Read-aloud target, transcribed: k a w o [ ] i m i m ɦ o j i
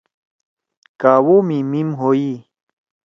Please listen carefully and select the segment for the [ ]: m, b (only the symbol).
m